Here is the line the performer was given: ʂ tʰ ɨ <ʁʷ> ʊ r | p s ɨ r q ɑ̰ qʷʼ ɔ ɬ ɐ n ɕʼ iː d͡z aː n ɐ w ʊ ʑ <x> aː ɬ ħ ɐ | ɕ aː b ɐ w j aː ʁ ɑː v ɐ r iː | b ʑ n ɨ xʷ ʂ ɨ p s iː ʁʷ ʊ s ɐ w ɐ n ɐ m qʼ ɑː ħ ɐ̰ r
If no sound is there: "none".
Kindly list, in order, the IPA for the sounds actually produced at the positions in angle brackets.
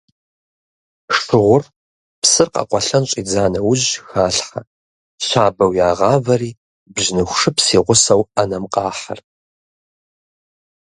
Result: ʁʷ, x

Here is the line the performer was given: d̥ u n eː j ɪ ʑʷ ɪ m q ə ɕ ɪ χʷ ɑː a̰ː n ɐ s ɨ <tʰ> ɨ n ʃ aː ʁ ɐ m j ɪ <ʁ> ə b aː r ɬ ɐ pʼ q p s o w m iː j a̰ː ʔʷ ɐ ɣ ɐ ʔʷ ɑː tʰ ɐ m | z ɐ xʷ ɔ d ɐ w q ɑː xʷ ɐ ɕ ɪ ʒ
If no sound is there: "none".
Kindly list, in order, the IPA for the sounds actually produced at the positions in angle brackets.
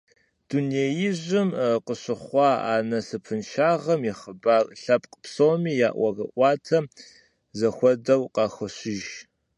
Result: pʰ, χ

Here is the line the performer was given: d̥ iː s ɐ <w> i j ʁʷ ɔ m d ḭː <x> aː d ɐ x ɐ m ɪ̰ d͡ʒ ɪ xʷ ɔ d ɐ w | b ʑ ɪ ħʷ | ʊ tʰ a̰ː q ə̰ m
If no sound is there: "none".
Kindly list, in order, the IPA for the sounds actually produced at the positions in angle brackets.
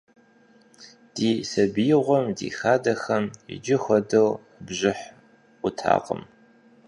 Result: b, x

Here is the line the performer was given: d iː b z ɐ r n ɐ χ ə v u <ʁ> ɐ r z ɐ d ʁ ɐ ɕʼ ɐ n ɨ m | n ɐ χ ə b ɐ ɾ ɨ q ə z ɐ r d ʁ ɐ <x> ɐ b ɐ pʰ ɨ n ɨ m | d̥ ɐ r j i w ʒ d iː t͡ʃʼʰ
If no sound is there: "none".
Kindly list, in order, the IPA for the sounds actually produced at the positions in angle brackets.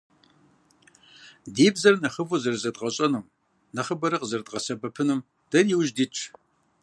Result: z, s

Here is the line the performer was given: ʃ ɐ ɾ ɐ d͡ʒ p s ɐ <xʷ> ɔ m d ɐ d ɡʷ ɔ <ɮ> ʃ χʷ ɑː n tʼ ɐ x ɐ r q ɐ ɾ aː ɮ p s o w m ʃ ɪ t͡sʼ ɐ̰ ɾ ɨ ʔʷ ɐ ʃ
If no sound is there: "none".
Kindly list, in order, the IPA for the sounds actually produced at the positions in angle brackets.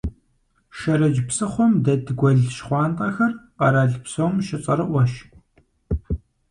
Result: χʷ, ɮ

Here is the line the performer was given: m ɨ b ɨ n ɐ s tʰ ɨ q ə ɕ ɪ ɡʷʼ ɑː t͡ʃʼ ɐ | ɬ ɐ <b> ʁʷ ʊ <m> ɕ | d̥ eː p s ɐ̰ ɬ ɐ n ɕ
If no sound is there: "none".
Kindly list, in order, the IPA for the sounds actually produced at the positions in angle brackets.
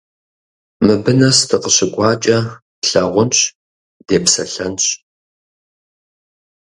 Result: none, n

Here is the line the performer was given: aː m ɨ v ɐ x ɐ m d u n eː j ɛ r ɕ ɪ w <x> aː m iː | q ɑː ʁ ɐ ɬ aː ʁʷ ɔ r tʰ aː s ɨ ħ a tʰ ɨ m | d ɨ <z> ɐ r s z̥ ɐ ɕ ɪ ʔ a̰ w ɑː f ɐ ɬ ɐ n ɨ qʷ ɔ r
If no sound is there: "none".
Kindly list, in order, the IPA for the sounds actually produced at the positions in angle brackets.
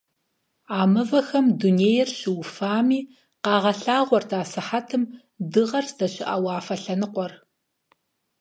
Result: f, ʁ

